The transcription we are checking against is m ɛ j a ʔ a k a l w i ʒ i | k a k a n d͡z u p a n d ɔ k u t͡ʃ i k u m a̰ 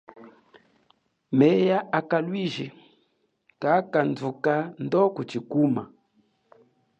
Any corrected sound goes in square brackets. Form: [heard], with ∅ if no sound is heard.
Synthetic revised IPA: m ɛ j a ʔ a k a l w i ʒ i | k a k a n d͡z u [k] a n d ɔ k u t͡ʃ i k u m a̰